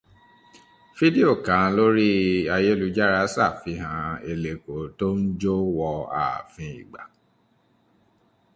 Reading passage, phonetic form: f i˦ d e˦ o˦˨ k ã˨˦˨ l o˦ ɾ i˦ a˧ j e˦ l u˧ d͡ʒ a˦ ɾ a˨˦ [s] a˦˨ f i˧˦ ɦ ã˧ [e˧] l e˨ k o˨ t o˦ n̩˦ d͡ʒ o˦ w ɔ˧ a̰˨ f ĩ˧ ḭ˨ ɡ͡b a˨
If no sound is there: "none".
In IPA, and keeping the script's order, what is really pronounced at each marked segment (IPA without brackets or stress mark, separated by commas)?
s, e˧